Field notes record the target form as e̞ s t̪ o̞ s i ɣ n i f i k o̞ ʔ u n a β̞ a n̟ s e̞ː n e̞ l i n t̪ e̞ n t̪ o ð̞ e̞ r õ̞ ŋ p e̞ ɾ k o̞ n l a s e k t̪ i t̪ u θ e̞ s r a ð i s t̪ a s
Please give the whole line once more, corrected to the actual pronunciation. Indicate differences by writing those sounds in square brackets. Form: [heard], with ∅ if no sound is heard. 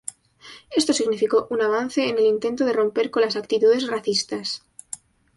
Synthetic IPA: e̞ s t̪ o̞ s i ɣ n i f i k o̞ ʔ u n a β̞ a n̟ [θ] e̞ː n e̞ l i n t̪ e̞ n t̪ o ð̞ e̞ r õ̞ [m] p e̞ ɾ k o̞ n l a s [a] k t̪ i t̪ u [ð] e̞ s r a [θ] i s t̪ a s